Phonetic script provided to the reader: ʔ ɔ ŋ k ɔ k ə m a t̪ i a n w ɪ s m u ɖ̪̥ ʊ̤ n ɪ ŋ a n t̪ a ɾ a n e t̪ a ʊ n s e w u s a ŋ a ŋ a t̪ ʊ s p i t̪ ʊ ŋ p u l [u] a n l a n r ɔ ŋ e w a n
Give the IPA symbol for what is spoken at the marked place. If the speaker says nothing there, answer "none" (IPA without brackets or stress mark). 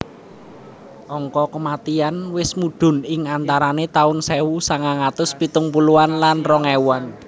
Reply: u